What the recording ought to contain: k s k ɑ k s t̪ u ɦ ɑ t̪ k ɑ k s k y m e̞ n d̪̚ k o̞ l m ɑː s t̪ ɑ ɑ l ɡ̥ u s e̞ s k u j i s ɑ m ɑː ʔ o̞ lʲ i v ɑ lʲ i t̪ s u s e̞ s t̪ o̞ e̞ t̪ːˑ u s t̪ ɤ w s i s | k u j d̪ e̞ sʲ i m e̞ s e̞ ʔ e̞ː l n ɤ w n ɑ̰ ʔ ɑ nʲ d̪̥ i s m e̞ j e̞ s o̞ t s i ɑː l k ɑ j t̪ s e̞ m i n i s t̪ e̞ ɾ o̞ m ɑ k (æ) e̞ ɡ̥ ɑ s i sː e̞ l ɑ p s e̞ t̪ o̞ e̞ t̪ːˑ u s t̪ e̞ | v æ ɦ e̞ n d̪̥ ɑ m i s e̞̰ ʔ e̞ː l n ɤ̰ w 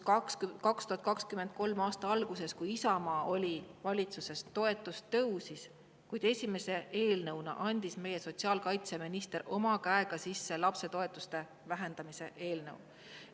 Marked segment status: correct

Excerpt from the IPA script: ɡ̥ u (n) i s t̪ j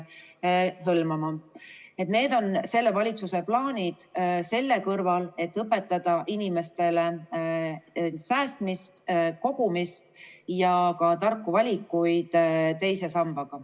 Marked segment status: incorrect: m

